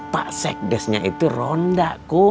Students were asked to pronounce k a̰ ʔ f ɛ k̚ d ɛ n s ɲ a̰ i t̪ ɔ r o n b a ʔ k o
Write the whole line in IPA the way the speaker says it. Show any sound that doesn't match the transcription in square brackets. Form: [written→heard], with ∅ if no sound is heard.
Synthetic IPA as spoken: [k→p] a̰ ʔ [f→s] ɛ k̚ d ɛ [n→∅] s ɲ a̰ i t̪ [ɔ→u] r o n [b→d] a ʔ k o

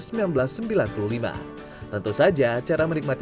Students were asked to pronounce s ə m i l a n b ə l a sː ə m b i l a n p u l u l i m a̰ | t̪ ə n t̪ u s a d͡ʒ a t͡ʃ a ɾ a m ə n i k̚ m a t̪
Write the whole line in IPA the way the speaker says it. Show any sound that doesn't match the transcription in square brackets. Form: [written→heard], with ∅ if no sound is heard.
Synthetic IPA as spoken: s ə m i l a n b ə l a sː ə m b i l a n p u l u l i m a̰ | t̪ ə n t̪ u s a d͡ʒ a t͡ʃ a ɾ a m ə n i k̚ m a t̪

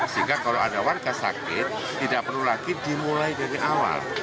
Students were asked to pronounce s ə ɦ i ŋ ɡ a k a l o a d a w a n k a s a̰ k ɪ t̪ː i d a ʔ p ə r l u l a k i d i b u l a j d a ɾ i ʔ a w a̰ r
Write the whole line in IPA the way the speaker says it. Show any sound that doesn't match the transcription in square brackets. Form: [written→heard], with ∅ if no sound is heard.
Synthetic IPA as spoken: s ə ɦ i ŋ ɡ a k a l o a d a w a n k a s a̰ k ɪ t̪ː i d a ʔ p ə r l u l a [k→ɡ] i d i [b→m] u l a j d a ɾ i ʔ a w a̰ [r→l]

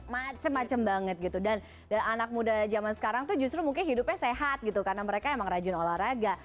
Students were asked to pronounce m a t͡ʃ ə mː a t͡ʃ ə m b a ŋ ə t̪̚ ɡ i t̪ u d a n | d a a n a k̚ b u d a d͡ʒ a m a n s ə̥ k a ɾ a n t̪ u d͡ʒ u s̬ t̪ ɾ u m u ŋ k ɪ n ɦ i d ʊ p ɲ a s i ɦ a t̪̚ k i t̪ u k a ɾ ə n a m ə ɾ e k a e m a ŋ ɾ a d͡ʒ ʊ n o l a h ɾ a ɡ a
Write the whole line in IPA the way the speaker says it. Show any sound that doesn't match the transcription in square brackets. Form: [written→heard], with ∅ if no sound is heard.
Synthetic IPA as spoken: m a t͡ʃ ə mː a t͡ʃ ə m b a ŋ ə t̪̚ ɡ i t̪ u d a n | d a a n a k̚ [b→m] u d a d͡ʒ a m a n s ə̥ k a ɾ a [n→ŋ] t̪ u d͡ʒ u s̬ t̪ ɾ u m u ŋ k ɪ n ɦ i d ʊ p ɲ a s [i→e] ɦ a t̪̚ [k→ɡ] i t̪ u k a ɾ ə n a m ə ɾ e k a e m a ŋ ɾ a d͡ʒ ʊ n o l a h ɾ a ɡ a

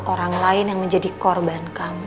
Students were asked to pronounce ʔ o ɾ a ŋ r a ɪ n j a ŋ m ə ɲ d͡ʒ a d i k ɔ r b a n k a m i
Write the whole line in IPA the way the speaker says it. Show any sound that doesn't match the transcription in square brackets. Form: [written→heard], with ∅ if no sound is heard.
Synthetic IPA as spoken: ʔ o ɾ a ŋ [r→l] a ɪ n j a ŋ m ə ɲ d͡ʒ a d i k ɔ r b a n k a m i

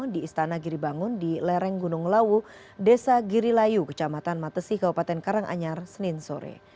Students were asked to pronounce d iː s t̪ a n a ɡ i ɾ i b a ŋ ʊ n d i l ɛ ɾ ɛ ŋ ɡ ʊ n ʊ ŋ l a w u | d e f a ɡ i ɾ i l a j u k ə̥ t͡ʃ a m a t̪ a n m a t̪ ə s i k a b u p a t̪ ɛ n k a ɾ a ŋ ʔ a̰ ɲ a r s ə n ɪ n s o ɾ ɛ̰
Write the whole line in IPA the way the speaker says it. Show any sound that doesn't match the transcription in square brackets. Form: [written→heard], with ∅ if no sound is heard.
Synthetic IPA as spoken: d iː s t̪ a n a ɡ i ɾ i b a ŋ ʊ n d i l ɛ ɾ ɛ ŋ ɡ [ʊ→u] n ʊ ŋ l a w u | d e [f→s] a ɡ i ɾ i l a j u k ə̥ t͡ʃ a m a t̪ a n m a t̪ ə s i k a b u p a t̪ ɛ n k a ɾ a ŋ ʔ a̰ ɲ a r s ə n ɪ n s o ɾ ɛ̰

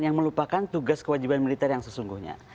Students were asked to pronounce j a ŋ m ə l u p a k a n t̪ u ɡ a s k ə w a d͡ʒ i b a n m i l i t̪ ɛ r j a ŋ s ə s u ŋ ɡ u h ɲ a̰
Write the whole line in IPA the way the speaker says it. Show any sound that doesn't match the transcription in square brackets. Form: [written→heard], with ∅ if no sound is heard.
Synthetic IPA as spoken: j a ŋ m ə l u p a k a n t̪ u ɡ a s k ə w a d͡ʒ i b a n m i l i t̪ ɛ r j a ŋ s ə s u ŋ ɡ u h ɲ a̰

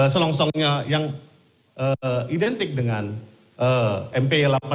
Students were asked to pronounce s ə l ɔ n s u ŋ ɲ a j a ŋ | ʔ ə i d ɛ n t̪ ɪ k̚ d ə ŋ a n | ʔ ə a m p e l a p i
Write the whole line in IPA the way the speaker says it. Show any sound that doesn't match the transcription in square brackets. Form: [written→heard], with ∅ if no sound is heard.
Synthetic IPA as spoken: s ə l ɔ [n→ŋ] s [u→ɔ] ŋ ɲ a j a ŋ | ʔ ə i d ɛ n t̪ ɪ k̚ d ə ŋ a n | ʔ ə [a→ɛ] m p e l a p [i→a]

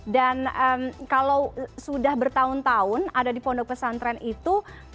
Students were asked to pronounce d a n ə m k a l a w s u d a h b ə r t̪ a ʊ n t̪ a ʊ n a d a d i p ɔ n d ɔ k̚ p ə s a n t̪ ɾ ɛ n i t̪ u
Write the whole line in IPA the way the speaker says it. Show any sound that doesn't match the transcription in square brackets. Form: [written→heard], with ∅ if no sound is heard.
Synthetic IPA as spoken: d a n ə m k a l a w s u d a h b ə r t̪ a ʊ n t̪ a ʊ n a d a d i p ɔ n d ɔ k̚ p ə s a n t̪ ɾ ɛ n i t̪ u

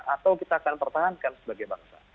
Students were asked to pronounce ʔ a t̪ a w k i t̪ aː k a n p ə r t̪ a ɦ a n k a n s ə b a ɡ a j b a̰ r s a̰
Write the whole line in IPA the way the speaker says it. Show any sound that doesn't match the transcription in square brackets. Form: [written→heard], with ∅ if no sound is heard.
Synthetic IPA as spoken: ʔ a t̪ a w k i t̪ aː k a n p ə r t̪ a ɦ a n k a n s ə b a ɡ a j b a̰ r s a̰

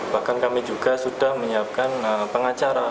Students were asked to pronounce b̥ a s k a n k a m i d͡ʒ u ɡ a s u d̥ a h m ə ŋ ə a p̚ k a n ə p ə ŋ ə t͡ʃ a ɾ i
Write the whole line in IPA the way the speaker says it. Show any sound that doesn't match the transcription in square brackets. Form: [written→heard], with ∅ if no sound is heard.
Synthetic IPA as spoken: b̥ a [s→h] k a n k a m i d͡ʒ u ɡ a s u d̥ a h m ə [ŋ→ɲ] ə a p̚ k a n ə p ə ŋ [ə→a] t͡ʃ a ɾ [i→a]

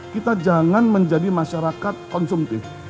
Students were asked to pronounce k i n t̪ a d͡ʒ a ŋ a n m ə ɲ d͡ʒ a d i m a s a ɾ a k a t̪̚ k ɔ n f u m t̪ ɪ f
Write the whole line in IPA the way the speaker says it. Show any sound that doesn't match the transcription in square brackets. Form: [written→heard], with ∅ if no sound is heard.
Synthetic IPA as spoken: k i [n→∅] t̪ a d͡ʒ a ŋ a n m ə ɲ d͡ʒ a d i m a [s→ʃ] a ɾ a k a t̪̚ k ɔ n [f→s] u m t̪ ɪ f

